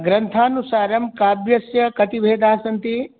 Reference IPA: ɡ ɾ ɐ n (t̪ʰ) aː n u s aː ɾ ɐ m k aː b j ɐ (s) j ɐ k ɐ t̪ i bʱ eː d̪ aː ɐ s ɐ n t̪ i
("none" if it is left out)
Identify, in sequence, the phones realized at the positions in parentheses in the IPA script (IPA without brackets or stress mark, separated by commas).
t̪ʰ, s